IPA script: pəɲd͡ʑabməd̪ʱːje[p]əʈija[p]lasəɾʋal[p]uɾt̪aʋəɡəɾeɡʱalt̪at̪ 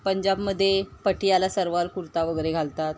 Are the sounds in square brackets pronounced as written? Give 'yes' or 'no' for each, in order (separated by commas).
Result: yes, no, no